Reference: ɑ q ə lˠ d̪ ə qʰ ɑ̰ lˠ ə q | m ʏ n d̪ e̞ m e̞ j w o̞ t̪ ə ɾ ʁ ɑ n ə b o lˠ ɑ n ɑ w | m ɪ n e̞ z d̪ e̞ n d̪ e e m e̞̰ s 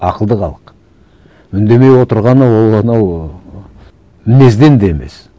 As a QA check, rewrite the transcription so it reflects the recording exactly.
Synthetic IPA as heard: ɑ q ə lˠ d̪ ə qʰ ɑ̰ lˠ ə q | m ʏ n d̪ e̞ m e̞ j w o̞ t̪ ə ɾ ʁ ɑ n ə w o lˠ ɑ n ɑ w | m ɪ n e̞ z d̪ e̞ n d̪ e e m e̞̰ s